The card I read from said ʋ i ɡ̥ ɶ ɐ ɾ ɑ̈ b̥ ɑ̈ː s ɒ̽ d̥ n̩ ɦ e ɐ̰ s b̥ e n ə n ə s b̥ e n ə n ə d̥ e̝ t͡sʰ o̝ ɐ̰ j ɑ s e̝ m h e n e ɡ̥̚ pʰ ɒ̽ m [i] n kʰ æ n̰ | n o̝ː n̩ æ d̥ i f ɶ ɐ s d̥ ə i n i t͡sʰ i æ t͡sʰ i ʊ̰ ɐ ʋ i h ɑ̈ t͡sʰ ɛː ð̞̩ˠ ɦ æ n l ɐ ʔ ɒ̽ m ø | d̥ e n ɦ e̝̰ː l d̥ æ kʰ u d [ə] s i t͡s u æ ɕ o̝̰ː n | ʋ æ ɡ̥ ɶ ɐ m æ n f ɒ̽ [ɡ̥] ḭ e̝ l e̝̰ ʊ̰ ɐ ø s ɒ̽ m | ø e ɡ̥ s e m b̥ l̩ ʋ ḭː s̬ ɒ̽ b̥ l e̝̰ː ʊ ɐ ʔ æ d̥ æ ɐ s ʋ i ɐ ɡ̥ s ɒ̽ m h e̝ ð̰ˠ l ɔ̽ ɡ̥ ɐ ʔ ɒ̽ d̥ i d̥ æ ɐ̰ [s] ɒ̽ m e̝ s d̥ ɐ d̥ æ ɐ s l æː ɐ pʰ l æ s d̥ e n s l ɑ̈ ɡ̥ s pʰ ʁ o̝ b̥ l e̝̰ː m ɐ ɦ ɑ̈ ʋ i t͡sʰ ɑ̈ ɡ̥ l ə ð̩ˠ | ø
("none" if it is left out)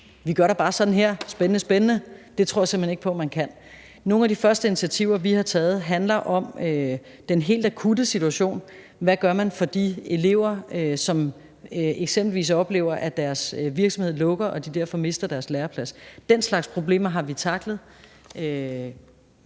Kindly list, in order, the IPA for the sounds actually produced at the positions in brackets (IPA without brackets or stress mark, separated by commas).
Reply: æ, ə, d̥, f